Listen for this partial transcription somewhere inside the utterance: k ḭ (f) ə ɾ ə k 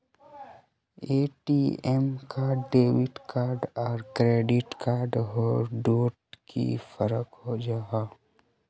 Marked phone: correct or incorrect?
correct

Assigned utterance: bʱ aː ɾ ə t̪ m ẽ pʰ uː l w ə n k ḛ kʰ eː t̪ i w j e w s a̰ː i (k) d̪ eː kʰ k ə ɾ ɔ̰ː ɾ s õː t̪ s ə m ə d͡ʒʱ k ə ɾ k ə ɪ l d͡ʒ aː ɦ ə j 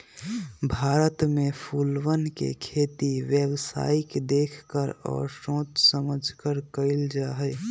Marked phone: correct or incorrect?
correct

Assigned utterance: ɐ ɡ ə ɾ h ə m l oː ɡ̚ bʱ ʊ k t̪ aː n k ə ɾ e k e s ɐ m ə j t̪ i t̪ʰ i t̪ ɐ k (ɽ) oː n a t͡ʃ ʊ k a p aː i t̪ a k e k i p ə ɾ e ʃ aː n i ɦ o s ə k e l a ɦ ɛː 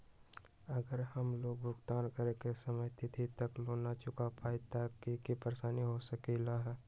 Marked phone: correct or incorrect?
incorrect: l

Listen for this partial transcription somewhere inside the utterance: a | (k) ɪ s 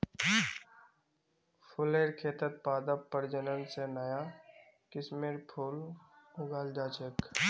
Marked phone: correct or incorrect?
correct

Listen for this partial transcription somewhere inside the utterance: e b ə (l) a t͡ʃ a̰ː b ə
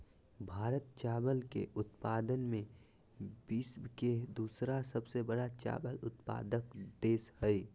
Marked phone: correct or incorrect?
incorrect: ɽ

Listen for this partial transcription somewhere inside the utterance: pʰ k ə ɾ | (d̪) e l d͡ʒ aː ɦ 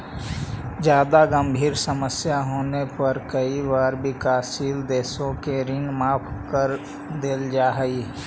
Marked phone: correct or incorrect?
correct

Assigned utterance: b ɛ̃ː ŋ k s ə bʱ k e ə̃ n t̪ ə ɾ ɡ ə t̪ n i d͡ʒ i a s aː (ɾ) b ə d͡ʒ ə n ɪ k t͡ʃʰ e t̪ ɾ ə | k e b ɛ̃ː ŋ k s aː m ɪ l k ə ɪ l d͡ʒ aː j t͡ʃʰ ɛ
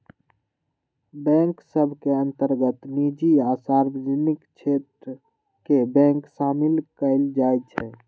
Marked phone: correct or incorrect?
correct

